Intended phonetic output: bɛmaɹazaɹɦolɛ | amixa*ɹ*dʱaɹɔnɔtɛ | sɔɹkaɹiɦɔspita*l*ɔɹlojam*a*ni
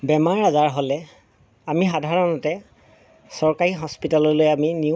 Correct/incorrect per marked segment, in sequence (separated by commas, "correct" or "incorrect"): incorrect, correct, incorrect